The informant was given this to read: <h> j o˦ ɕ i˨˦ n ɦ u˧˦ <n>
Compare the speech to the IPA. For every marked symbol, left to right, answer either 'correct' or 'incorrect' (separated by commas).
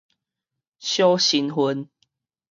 incorrect, correct